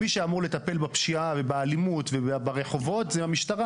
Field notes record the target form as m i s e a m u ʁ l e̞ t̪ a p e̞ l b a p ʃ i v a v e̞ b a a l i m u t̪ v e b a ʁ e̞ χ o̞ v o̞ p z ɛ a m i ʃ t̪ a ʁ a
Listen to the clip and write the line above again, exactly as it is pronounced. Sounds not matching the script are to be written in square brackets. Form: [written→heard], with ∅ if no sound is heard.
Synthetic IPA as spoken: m i [s→ʃ] e a m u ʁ l e̞ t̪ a p e̞ l b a p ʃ i [v→∅] a v e̞ b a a l i m u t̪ v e b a ʁ e̞ χ o̞ v o̞ [p→t] z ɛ a m i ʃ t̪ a ʁ a